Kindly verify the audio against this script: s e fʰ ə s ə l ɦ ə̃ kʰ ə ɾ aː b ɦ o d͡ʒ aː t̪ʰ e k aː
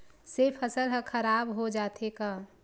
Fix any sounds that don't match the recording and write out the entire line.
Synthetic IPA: s e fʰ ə s ə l ɦ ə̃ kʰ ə ɾ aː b ɦ o d͡ʒ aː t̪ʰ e k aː